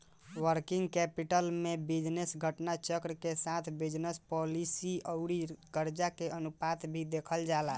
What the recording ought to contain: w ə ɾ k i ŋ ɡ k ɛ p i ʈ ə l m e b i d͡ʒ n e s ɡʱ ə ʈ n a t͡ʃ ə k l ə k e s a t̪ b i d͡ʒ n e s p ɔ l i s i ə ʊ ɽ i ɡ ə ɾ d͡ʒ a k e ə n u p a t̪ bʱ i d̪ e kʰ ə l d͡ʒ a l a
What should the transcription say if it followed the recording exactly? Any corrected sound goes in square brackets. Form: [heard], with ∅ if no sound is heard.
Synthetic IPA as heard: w ə ɾ k i ŋ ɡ k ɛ p i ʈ ə l m e b i d͡ʒ n e s ɡʱ ə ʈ n a t͡ʃ ə k [ɾ] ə k e s a [t̪ʰ] b i d͡ʒ n e s p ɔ l i s i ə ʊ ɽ i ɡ ə ɾ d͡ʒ a k e ə n u p a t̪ bʱ i d̪ e kʰ ə l d͡ʒ a l a